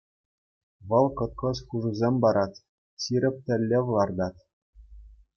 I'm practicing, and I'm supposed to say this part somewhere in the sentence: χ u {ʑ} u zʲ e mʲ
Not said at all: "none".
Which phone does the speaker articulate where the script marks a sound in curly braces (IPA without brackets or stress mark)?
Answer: ʐ